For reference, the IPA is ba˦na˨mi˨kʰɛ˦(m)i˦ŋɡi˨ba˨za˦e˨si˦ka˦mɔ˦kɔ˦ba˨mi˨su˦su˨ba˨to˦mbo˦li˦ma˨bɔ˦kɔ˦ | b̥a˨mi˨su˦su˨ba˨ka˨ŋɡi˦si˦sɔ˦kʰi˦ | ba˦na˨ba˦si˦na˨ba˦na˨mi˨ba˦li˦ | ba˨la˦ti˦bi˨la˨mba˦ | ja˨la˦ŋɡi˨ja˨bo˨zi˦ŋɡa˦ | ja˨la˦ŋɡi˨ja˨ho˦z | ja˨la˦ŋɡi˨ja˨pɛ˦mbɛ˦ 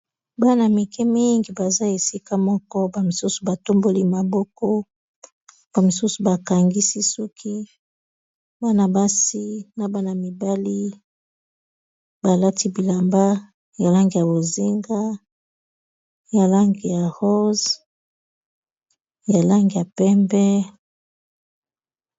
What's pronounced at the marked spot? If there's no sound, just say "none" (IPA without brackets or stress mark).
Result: m